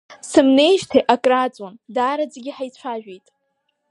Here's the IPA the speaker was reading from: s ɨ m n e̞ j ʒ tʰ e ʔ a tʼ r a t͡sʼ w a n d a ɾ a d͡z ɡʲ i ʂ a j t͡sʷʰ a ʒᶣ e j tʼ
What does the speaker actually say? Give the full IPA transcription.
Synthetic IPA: s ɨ m n e̞ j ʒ tʰ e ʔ a kʼ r a t͡sʼ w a n d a ɾ a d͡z ɡʲ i ħ a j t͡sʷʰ a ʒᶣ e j tʼ

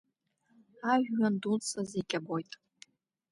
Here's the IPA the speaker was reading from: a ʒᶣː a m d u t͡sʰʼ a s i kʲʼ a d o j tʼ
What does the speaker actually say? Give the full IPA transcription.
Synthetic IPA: a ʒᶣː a n d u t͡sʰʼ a z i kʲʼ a b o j tʼ

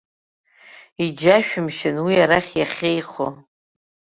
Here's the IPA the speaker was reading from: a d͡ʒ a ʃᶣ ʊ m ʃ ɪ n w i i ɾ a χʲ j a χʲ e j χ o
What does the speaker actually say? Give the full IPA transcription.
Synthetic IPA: i d͡ʒ a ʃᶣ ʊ m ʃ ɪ n w i a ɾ a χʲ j a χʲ e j χ o

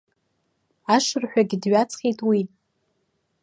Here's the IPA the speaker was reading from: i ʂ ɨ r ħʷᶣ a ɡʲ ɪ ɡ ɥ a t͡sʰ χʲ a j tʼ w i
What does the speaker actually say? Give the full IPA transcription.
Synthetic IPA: a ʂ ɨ r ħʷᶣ a ɡʲ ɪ d ɥ a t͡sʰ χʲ e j tʼ w i

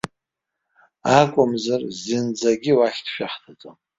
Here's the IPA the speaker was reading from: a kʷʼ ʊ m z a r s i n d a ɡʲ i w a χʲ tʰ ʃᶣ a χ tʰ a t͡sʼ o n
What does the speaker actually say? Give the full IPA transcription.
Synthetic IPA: a kʷʼ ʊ m z a r z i n d͡z a ɡʲ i w a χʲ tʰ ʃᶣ a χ tʰ a t͡sʼ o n

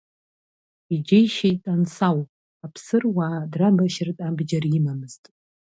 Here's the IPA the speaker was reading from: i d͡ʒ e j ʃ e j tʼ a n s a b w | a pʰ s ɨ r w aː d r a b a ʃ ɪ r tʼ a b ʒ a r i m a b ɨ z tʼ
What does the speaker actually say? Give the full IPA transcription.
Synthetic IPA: i d͡ʒ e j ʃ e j tʼ a n s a w | a pʰ s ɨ r w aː d r a b a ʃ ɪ r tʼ a b d͡ʒ a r i m a m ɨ z tʼ

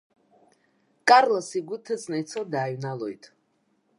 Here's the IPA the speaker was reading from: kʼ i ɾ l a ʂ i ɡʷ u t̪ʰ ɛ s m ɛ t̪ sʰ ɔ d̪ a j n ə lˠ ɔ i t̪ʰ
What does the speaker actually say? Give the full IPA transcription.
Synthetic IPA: kʼ a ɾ l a s i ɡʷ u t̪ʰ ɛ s n ɛ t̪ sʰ ɔ d̪ a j n a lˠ ɔ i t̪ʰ

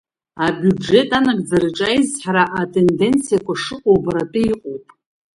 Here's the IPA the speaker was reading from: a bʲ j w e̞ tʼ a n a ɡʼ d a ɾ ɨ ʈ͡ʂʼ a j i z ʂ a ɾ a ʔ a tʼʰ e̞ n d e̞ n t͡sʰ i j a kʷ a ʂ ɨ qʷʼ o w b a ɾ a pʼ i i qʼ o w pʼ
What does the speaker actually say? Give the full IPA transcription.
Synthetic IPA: a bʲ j u e̞ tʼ a n a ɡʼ d͡z a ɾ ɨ ʈ͡ʂʼ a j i z ħ a ɾ a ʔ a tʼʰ e̞ n d e̞ n t͡sʰ i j a kʷ a ʂ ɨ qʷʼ o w b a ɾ a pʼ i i qʼ o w pʼ

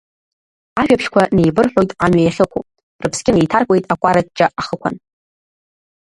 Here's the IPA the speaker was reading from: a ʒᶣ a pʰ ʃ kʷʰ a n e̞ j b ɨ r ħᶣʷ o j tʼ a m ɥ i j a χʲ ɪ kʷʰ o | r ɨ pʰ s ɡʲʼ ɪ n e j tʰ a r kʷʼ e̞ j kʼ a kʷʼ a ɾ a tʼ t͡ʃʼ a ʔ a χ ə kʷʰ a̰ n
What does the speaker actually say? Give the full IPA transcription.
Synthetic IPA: a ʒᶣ a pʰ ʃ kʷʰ a n e̞ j b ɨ r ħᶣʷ o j tʼ a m ɥ a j a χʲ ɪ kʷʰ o | r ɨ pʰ s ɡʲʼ ɪ n e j tʰ a r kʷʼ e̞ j tʼ a kʷʼ a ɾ a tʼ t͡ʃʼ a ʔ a χ ə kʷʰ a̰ n

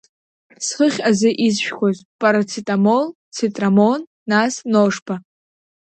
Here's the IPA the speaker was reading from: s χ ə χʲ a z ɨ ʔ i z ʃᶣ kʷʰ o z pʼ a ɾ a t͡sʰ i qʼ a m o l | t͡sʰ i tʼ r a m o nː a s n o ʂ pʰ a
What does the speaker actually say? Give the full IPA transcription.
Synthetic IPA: s χ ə χʲ a z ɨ ʔ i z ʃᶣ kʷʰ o z pʼ a ɾ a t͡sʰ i tʼ a m o l | t͡sʰ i tʼ r a m o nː a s n o ʂ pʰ a

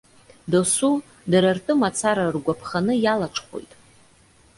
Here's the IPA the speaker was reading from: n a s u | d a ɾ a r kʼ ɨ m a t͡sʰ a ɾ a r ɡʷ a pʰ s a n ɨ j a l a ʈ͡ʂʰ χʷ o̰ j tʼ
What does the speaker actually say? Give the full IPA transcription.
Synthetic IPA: d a s u | d a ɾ a r tʼ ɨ m a t͡sʰ a ɾ a r ɡʷ a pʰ χ a n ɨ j a l a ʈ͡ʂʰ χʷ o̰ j tʼ

